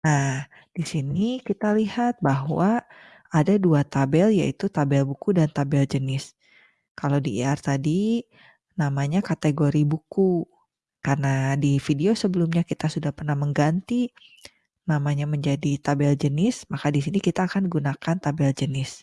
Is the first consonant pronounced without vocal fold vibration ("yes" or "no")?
no